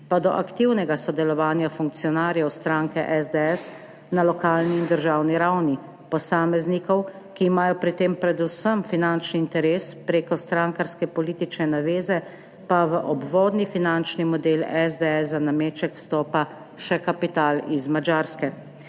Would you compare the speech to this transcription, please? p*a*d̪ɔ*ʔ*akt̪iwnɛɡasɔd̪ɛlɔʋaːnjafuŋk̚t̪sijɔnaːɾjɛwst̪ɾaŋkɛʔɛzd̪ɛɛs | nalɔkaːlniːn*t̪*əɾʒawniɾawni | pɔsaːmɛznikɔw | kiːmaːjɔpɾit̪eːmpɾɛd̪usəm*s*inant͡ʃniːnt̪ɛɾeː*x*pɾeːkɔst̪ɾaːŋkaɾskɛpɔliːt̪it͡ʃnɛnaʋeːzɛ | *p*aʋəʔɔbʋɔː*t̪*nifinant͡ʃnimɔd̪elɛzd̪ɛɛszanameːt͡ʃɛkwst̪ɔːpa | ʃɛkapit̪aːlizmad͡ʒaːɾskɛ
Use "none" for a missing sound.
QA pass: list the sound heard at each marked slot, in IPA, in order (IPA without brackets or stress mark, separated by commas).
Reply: a, ʔ, d̪, f, s, p, d̪